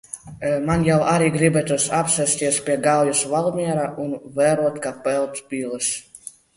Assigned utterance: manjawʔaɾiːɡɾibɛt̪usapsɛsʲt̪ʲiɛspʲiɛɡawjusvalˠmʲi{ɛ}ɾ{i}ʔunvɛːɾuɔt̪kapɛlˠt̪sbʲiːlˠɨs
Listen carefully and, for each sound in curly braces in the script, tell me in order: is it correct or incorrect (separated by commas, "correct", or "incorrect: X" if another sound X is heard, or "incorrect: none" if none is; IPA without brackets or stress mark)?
correct, incorrect: a